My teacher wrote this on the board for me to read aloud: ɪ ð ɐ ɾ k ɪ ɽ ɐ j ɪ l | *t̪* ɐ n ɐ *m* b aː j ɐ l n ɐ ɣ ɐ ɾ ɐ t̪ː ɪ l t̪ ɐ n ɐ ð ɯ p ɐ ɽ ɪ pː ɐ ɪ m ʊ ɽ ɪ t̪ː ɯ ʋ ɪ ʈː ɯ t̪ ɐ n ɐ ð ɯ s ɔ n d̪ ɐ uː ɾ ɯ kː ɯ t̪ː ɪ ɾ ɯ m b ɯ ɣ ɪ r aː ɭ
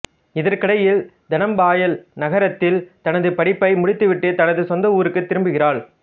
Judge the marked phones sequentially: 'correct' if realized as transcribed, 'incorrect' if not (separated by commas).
incorrect, correct